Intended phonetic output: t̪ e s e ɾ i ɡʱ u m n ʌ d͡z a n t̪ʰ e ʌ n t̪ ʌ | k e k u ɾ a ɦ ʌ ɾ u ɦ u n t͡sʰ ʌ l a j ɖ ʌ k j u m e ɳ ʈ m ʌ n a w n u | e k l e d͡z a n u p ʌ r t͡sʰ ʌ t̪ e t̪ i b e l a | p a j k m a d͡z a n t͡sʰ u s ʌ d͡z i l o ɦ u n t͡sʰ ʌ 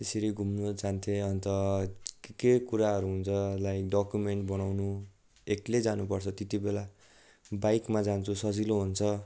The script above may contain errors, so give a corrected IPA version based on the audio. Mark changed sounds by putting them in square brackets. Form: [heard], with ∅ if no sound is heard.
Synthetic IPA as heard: t̪ e s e ɾ i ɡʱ u m n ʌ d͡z a n t̪ʰ e ʌ n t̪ ʌ | k e k u ɾ a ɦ ʌ ɾ u ɦ u n t͡sʰ ʌ l a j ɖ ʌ k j u m e ɳ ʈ [b] ʌ n a w n u | e k l e d͡z a n u p ʌ r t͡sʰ ʌ t̪ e t̪ i b e l a | [b] a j k m a d͡z a n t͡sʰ u s ʌ d͡z i l o ɦ u n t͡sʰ ʌ